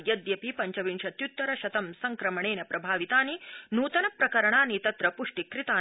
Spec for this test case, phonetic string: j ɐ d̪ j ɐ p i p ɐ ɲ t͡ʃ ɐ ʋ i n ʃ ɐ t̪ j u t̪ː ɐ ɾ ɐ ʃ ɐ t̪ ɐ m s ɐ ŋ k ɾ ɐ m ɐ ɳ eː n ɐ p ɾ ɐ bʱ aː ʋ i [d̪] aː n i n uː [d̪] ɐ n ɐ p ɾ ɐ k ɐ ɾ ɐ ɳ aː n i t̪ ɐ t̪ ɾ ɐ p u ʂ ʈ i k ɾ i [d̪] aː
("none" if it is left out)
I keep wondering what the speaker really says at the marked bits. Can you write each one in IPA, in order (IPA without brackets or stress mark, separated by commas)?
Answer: t̪, t̪, t̪